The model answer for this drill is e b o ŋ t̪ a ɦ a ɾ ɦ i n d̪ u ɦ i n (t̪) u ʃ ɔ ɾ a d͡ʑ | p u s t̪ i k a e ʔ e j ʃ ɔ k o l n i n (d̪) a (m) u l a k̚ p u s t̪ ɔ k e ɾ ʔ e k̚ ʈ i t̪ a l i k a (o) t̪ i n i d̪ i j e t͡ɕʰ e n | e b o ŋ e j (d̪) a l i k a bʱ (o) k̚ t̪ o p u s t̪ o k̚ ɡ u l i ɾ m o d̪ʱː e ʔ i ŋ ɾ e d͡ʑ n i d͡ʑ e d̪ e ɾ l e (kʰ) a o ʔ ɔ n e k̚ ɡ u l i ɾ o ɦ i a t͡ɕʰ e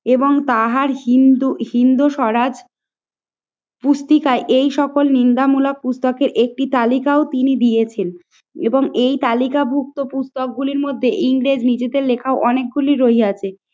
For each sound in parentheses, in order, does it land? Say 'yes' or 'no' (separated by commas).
no, yes, yes, yes, no, no, yes